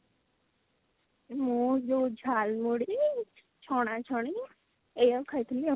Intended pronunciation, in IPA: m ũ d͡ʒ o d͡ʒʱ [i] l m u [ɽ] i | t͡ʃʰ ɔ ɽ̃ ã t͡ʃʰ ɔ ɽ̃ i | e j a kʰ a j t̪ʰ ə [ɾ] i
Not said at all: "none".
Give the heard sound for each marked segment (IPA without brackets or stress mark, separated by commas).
a, ɽ, l